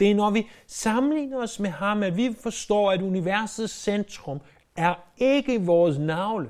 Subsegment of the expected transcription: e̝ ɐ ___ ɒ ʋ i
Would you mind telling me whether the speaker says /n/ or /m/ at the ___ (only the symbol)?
n